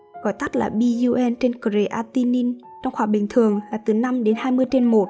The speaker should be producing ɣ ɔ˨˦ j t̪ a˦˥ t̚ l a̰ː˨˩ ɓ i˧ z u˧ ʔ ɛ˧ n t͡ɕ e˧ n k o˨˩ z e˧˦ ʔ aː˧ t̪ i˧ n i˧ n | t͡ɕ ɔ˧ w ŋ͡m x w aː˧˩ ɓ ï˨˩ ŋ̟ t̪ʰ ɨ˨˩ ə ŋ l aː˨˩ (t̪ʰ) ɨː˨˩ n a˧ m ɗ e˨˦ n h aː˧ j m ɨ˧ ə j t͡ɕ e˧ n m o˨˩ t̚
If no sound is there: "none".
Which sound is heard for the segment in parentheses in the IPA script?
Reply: t̪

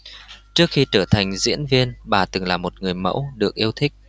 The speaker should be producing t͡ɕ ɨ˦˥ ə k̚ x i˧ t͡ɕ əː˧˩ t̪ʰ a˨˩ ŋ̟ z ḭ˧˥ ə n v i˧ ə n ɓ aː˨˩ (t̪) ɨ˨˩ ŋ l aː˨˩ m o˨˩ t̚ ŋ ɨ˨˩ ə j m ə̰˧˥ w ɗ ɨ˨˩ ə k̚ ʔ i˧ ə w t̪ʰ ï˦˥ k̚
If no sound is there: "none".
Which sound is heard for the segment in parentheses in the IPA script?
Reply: t̪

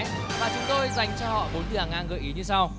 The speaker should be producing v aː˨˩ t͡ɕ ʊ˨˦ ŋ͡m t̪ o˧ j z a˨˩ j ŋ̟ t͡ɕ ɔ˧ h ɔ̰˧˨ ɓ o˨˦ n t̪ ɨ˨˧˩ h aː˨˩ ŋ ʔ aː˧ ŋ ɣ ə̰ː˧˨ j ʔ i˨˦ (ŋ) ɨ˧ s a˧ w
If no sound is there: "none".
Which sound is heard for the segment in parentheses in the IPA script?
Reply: ɲ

